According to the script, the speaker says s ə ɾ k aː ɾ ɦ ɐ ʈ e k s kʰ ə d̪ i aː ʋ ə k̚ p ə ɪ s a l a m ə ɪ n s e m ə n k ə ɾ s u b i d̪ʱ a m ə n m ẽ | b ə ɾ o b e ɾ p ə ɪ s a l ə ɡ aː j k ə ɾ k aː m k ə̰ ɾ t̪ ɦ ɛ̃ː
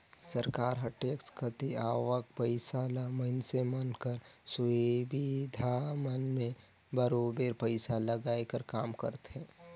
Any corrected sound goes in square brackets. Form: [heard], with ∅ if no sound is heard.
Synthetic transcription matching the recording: s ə ɾ k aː ɾ ɦ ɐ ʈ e k s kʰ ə [t̪] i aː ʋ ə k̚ p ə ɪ s a l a m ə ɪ n s e m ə n k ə ɾ s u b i d̪ʱ a m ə n m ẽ | b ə ɾ o b e ɾ p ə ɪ s a l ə ɡ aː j k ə ɾ k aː m k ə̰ ɾ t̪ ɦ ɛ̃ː